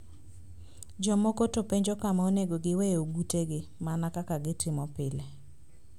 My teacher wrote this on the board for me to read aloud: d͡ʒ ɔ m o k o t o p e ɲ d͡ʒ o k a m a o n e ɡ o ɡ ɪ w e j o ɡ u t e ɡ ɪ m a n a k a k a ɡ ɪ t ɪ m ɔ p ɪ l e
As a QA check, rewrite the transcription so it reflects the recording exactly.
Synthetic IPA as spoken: d͡ʒ ɔ m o k o t o p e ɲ d͡ʒ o k a m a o n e ɡ o ɡ ɪ w e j o ɡ u t e ɡ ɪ m a n a k a k a ɡ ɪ t ɪ m ɔ p ɪ l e

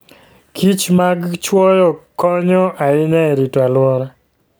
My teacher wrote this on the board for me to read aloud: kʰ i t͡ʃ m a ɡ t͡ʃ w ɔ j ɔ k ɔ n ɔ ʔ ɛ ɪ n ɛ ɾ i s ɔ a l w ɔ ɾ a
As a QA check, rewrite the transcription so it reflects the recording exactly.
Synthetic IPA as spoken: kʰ i t͡ʃ m a ɡ t͡ʃ w ɔ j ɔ k ɔ ɲ ɔ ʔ a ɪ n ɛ ɾ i t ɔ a l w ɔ ɾ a

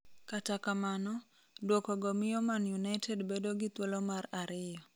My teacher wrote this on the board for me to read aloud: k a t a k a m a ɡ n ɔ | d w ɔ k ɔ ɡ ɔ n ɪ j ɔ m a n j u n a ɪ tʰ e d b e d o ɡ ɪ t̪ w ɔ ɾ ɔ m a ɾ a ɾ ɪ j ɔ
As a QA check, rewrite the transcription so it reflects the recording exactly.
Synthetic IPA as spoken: k a t a k a m a n ɔ | d w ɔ k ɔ ɡ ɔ m ɪ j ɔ m a n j u n a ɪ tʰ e d b e d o ɡ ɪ t̪ w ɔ l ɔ m a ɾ a ɾ ɪ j ɔ

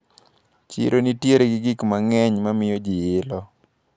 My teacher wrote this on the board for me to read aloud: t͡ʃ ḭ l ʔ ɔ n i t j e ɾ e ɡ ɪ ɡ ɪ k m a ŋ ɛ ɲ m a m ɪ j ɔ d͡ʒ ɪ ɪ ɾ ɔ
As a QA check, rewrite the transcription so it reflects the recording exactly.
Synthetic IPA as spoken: t͡ʃ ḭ ɾ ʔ o n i t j e ɾ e ɡ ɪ ɡ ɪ k m a ŋ ɛ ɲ m a m ɪ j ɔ d͡ʒ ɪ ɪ l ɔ

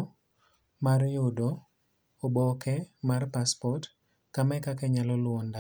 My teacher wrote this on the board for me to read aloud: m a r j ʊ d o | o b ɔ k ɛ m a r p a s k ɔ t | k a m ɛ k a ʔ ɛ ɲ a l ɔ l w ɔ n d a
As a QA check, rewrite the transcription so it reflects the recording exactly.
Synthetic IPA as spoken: m a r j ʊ d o | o b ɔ k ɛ m a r p a s p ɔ t | k a m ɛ k a k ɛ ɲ a l ɔ l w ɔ n d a

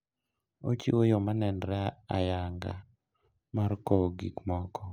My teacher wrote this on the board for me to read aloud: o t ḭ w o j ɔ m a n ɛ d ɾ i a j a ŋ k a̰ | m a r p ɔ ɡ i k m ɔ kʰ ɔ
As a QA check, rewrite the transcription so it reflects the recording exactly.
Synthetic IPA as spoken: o t͡ʃ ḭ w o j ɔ m a n ɛ n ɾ ɛ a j a ŋ ɡ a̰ | m a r k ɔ ɡ i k m ɔ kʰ ɔ

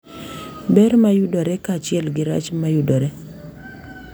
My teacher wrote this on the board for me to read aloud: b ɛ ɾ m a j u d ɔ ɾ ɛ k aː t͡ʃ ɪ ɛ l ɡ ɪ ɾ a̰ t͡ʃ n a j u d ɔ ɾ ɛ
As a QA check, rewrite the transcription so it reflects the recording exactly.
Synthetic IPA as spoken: b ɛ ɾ m a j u d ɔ ɾ ɛ k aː t͡ʃ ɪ ɛ l ɡ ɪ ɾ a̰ t͡ʃ m a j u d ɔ ɾ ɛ

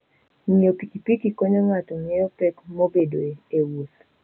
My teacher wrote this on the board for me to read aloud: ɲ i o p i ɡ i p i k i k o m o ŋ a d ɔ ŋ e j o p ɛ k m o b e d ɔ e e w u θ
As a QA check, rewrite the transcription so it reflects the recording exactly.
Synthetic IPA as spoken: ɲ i o p i k i p i k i k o ɲ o ŋ a t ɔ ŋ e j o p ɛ k m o b e d o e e w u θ

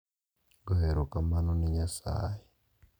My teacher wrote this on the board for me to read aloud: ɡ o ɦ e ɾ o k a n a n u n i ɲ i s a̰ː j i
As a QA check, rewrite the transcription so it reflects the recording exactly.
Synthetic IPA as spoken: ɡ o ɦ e ɾ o k a m a n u n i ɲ a s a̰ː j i

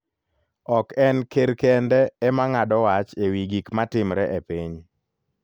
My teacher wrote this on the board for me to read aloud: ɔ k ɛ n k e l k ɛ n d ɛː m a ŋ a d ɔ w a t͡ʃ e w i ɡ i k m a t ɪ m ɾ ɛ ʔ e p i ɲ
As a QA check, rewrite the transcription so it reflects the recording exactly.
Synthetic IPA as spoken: ɔ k ɛ n k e ɾ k ɛ n d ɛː m a ŋ a d ɔ w a t͡ʃ e w i ɡ i k m a t ɪ m ɾ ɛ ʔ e p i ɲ

